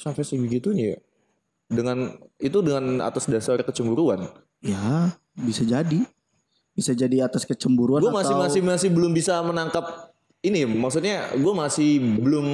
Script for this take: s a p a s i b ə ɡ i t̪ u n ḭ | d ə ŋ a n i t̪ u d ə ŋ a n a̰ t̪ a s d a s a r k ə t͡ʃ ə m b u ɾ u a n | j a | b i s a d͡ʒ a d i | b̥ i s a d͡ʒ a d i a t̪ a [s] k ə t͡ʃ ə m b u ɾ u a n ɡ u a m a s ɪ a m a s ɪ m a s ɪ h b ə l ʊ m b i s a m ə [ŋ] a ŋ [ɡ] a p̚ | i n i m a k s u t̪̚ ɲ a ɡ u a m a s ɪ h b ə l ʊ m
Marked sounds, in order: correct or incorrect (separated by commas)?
correct, incorrect, incorrect